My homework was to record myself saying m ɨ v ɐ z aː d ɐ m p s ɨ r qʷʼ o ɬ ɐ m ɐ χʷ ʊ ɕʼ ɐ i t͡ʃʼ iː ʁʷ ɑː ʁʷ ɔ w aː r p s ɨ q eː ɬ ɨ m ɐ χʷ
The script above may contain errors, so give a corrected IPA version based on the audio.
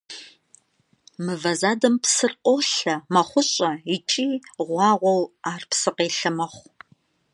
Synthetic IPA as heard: m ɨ v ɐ z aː d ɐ m p s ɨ r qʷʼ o ɬ ɐ m ɐ χʷ ʊ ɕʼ ɐ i t͡ʃʼ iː ʁʷ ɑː ʁʷ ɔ w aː r p s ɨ q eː ɬ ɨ m ɐ χʷ